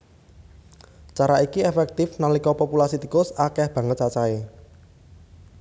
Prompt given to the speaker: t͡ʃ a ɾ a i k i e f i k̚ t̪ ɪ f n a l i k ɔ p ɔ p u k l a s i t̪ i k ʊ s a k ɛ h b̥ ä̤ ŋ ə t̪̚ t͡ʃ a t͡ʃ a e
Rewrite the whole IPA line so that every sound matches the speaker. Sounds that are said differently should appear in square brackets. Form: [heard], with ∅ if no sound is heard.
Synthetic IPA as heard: t͡ʃ a ɾ a i k i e f [ɛ] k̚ t̪ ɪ f n a l i k ɔ p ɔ p u [∅] l a s i t̪ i k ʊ s a k ɛ h b̥ ä̤ ŋ ə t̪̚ t͡ʃ a t͡ʃ a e